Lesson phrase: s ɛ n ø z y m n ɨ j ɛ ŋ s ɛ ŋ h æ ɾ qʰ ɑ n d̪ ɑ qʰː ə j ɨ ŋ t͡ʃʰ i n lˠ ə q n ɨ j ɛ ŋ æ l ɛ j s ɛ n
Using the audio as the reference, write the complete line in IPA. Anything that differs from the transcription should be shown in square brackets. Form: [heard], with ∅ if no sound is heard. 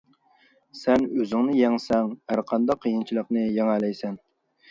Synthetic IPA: s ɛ n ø z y [ŋ] n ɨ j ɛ ŋ s ɛ ŋ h æ ɾ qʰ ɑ n d̪ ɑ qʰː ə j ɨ [n] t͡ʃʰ i [∅] lˠ ə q n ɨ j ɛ ŋ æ l ɛ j s ɛ n